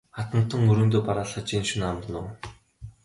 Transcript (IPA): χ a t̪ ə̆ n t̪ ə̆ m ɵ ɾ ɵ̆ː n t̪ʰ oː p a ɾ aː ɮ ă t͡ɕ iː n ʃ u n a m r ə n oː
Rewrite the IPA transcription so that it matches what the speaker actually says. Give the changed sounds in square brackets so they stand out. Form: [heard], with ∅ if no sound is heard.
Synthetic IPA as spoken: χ a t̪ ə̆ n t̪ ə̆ [ŋ] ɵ ɾ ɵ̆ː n [t̪] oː p a ɾ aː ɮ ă t͡ɕ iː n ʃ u n a m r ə n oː